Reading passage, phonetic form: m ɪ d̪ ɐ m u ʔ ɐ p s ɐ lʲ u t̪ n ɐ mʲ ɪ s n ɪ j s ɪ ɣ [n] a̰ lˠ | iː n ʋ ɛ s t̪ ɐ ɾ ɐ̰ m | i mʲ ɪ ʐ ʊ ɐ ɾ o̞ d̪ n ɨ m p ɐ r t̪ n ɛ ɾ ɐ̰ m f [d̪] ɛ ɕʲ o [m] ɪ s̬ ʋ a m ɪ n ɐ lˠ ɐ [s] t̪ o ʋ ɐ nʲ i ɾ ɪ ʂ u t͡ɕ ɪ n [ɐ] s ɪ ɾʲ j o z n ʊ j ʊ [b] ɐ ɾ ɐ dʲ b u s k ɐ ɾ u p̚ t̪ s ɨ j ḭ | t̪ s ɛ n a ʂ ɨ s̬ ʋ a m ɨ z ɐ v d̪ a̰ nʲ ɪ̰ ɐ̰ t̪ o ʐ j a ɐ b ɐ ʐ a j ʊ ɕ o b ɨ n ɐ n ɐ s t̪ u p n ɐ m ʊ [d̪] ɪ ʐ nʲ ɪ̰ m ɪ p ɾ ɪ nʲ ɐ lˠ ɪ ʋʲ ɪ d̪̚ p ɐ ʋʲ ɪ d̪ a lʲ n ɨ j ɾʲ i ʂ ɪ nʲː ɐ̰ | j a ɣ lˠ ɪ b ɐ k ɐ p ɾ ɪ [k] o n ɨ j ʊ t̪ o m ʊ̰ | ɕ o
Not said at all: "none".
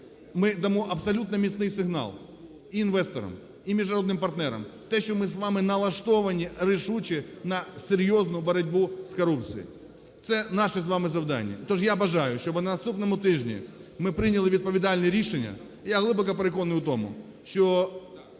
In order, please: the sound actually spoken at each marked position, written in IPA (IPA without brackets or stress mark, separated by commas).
n, t̪, m, ʂ, ɐ, b, t̪, k